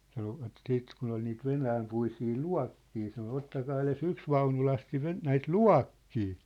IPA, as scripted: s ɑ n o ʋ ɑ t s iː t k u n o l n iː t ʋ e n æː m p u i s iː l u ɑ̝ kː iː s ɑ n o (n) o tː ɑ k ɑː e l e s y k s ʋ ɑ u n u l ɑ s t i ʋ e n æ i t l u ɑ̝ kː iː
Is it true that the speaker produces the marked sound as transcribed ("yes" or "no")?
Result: no